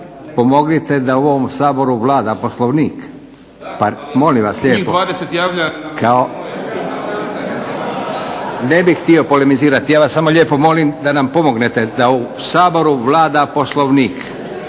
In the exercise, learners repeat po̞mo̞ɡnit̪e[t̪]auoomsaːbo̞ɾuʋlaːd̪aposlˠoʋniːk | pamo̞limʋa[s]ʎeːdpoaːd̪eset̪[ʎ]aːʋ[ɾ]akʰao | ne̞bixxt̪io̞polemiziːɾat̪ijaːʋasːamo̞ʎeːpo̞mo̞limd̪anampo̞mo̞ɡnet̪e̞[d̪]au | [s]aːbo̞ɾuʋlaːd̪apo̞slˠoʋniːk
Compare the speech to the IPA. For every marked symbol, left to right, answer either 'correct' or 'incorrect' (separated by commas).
incorrect, correct, incorrect, incorrect, correct, correct